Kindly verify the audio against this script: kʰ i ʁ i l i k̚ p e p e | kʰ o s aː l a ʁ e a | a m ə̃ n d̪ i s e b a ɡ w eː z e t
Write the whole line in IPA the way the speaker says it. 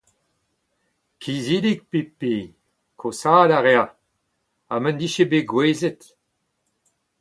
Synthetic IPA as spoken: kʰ i z i l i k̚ p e p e | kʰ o s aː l a ʁ e a | a m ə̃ n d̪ i ʃ e b e ɡ w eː z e t